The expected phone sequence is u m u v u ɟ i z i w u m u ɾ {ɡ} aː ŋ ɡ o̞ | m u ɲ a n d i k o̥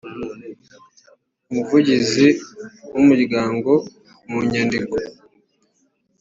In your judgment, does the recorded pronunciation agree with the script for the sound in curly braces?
yes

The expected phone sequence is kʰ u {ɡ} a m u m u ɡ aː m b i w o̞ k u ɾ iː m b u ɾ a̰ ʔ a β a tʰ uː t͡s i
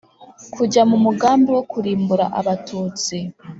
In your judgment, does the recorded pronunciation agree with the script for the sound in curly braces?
no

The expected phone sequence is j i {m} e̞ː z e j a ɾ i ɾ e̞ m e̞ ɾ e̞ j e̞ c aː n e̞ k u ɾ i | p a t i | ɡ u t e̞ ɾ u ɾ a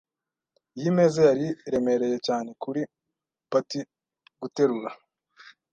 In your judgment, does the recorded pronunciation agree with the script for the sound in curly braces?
yes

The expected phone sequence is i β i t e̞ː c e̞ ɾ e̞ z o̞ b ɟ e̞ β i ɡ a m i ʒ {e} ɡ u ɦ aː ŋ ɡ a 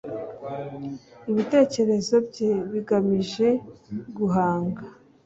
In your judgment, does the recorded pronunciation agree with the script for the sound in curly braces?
yes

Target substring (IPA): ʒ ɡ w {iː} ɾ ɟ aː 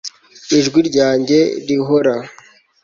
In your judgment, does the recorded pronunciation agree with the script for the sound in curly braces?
no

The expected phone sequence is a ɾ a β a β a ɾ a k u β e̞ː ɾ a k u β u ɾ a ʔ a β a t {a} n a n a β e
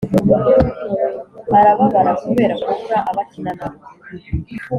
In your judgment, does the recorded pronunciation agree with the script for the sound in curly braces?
no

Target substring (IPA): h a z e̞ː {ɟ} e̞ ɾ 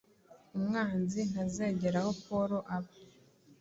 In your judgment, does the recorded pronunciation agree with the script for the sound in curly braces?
yes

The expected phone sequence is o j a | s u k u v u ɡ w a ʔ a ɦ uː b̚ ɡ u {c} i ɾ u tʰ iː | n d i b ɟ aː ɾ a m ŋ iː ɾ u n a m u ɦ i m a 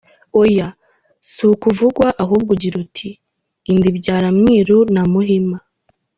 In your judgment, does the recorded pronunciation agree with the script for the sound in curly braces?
no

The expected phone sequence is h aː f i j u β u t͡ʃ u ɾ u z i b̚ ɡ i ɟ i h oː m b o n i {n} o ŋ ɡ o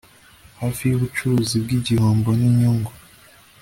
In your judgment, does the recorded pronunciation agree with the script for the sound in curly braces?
no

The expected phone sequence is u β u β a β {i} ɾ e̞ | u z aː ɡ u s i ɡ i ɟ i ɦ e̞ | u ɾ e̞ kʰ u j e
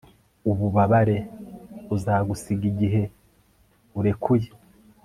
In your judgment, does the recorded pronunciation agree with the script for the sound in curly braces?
no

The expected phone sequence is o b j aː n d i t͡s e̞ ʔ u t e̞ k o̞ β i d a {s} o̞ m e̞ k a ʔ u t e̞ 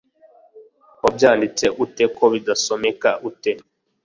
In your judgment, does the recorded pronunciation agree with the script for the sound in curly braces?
yes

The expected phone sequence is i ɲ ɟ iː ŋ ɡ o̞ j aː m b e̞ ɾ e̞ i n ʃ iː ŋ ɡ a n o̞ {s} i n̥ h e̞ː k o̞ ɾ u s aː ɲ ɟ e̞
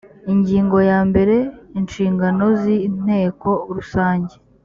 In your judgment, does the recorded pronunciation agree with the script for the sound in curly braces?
no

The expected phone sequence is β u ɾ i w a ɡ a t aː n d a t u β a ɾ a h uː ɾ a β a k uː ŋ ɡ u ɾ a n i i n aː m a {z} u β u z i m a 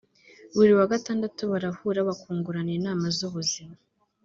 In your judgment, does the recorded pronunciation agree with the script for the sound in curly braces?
yes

